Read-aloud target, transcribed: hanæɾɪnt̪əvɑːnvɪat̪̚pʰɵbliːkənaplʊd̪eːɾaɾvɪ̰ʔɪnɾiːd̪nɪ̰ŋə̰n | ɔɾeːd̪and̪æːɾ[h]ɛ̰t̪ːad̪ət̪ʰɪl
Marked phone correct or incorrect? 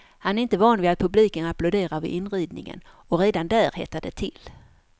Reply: correct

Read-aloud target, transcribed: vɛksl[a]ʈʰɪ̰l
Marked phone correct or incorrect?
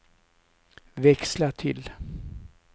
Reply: correct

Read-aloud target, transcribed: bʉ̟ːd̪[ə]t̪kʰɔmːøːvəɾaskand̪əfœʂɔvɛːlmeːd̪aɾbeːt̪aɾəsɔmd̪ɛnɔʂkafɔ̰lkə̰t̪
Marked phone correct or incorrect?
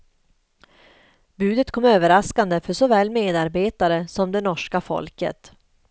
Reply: correct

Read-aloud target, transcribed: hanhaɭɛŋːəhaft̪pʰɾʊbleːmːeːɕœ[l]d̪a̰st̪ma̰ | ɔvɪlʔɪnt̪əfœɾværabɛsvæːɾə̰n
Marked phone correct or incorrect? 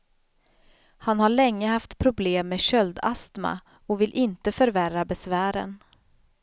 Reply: correct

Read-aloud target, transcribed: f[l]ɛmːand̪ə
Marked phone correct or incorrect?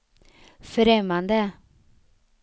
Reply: incorrect: ɾ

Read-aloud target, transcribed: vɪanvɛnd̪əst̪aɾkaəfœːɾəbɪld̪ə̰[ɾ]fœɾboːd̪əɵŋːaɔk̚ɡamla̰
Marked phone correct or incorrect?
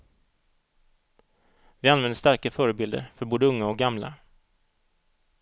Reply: correct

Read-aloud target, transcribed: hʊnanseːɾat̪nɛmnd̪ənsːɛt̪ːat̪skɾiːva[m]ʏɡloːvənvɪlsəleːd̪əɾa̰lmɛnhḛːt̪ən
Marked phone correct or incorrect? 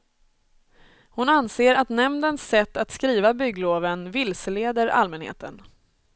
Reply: incorrect: b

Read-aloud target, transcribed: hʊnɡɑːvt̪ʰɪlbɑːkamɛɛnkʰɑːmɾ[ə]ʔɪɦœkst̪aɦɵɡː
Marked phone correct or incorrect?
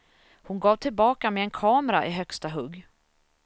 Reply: incorrect: a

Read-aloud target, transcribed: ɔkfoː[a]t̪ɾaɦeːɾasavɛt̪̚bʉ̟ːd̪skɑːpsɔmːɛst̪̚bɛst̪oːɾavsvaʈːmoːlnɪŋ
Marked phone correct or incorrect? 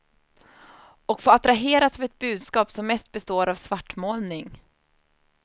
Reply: correct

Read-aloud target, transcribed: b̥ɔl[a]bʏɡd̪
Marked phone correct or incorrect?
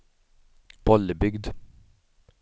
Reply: incorrect: ə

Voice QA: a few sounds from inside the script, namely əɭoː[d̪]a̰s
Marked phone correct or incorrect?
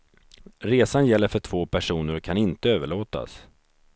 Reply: incorrect: t̪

